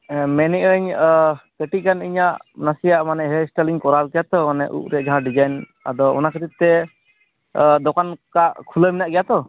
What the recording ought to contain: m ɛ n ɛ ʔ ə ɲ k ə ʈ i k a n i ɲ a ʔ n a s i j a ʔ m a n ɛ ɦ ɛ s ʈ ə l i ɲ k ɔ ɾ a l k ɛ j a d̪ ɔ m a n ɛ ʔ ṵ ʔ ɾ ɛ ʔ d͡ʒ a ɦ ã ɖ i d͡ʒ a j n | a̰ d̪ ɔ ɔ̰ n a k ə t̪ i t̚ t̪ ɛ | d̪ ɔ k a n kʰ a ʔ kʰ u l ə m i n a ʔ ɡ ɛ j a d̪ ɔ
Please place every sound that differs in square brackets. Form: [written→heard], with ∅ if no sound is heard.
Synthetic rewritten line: m ɛ n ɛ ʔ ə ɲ k ə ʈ i k a n i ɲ a ʔ n a s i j a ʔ m a n ɛ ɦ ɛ s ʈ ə l i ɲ k ɔ ɾ a l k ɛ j a [d̪→t̪] ɔ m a n ɛ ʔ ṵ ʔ ɾ ɛ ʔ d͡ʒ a ɦ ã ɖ i d͡ʒ a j n | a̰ d̪ ɔ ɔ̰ n a k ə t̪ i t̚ t̪ ɛ | d̪ ɔ k a n [kʰ→k] a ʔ kʰ u l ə m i n a ʔ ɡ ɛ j a [d̪→t̪] ɔ